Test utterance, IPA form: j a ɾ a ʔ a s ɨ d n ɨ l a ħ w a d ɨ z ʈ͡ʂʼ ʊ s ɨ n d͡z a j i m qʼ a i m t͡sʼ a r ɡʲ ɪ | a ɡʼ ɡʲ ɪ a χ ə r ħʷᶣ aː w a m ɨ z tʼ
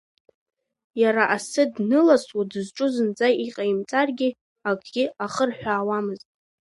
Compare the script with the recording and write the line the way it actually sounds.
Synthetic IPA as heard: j a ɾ a ʔ a s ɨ d n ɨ l a s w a d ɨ z ʈ͡ʂʼ ʊ z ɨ n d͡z a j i qʼ a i m t͡sʼ a r ɡʲ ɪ | a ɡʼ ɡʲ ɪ a χ ə r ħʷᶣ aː w a m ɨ z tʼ